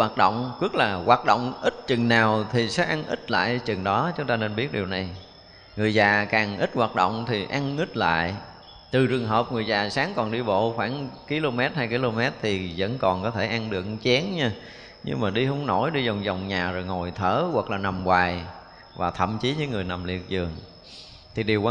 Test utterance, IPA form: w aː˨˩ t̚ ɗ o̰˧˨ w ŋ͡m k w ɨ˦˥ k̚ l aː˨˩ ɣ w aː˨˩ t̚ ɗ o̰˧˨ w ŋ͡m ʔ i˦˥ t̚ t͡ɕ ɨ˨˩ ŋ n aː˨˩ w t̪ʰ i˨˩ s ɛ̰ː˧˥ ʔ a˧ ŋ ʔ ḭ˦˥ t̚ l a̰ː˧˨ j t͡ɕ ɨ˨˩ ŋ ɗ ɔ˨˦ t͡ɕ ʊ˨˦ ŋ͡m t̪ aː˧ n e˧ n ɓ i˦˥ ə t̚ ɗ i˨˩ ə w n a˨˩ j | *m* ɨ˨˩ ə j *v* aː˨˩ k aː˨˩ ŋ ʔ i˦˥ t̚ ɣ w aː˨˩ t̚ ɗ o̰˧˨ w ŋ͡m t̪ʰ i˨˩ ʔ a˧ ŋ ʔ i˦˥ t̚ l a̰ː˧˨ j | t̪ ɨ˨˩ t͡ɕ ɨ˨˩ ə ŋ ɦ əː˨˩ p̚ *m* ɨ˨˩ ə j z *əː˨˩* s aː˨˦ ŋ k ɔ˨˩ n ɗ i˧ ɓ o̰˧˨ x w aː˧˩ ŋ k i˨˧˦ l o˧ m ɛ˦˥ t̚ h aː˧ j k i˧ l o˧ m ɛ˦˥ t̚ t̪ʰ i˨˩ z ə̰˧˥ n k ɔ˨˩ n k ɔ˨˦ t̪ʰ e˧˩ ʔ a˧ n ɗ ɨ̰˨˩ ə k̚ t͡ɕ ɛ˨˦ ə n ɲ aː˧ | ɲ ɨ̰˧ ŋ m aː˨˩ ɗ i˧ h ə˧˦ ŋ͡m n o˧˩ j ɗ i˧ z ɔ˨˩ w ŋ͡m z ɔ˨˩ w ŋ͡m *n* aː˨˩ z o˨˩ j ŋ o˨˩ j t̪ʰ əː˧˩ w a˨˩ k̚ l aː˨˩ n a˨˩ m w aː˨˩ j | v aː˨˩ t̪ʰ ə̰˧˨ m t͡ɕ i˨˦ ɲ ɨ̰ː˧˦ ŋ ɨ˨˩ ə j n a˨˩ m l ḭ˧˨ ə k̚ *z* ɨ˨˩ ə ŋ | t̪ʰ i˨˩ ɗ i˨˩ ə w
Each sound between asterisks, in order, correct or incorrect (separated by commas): incorrect, incorrect, incorrect, incorrect, incorrect, correct